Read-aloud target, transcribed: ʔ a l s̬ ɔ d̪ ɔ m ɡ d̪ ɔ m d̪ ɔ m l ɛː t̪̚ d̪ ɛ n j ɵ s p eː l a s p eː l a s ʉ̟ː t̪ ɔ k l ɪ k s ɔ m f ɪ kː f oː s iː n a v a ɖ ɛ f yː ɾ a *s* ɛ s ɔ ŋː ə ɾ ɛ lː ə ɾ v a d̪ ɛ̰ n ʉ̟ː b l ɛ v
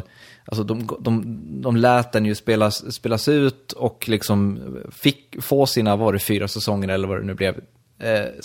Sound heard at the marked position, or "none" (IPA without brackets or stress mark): s